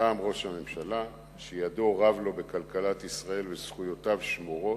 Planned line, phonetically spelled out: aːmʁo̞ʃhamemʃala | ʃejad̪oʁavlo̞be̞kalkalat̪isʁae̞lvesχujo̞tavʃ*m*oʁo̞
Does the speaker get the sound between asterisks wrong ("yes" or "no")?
no